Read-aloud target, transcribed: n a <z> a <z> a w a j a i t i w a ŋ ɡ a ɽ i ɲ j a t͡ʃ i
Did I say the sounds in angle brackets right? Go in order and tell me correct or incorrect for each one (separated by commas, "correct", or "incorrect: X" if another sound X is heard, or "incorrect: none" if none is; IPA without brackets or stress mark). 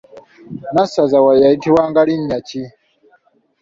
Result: incorrect: s, correct